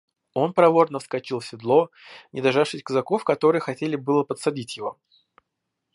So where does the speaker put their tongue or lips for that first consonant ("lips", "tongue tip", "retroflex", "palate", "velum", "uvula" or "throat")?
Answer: tongue tip